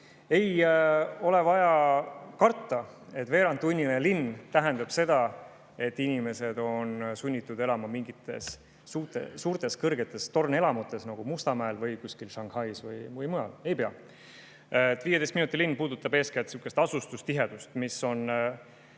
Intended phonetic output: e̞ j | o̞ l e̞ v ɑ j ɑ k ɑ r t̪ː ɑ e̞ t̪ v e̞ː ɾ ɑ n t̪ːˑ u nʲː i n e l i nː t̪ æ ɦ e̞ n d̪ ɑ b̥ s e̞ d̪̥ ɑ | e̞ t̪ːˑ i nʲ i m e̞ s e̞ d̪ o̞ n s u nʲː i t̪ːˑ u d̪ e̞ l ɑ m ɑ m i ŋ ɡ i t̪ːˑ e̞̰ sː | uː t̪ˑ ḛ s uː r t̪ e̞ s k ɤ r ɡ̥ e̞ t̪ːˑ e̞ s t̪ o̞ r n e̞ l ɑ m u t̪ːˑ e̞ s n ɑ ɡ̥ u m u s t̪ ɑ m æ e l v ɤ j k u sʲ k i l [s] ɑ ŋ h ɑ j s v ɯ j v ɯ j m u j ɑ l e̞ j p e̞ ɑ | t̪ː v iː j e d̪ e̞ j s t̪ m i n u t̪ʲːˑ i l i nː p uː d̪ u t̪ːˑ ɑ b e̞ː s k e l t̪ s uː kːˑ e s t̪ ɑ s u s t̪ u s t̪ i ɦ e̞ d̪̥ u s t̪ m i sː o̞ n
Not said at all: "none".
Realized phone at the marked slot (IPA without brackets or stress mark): ʃ